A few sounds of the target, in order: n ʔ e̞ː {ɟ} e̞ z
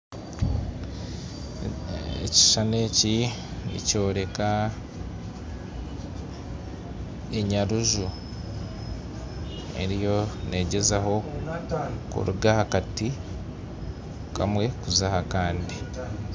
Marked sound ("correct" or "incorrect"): correct